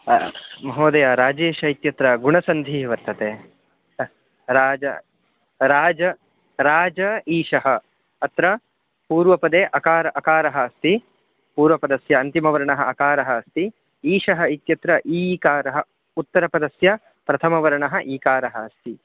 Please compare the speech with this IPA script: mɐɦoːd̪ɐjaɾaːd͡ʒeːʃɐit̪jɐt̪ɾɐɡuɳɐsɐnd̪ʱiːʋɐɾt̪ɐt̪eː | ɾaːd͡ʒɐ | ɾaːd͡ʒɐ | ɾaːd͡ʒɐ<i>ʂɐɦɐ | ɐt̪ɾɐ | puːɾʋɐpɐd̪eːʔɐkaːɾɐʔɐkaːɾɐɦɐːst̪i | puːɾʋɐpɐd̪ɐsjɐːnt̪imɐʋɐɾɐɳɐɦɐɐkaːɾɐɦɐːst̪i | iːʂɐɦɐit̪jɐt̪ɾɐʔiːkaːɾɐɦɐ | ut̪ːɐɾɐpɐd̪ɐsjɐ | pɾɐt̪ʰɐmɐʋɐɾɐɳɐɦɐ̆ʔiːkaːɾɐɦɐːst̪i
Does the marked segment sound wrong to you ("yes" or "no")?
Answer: yes